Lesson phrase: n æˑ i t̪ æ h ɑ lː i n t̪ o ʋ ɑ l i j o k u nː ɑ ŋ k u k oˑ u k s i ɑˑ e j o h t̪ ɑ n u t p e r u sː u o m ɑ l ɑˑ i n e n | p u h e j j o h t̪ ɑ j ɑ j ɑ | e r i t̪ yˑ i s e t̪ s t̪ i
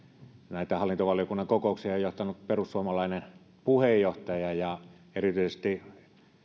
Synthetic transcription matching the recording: n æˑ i t̪ æ h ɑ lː i n t̪ o ʋ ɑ l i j o k u nː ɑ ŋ k o k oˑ u k s i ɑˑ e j o h t̪ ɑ n u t p e r u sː u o m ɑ l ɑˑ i n e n | p u h e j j o h t̪ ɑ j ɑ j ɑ | e r i t̪ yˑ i s e s t̪ i